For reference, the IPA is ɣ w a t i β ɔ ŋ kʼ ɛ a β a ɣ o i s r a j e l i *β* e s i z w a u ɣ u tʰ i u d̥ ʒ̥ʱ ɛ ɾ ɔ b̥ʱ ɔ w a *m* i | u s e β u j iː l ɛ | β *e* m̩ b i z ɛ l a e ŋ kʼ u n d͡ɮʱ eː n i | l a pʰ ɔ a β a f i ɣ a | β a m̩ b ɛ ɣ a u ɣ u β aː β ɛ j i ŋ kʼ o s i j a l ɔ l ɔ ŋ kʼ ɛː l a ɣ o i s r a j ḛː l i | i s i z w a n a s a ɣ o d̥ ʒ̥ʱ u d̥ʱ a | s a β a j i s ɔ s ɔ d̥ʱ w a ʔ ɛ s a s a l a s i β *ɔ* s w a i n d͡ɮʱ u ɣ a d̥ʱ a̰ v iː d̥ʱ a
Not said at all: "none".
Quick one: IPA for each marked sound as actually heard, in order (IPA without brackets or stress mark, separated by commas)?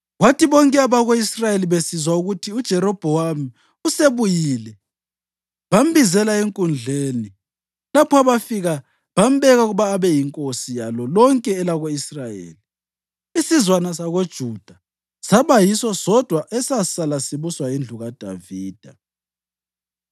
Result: β, m, a, u